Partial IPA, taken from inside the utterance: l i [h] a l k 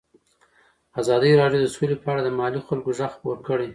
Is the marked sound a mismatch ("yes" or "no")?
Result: yes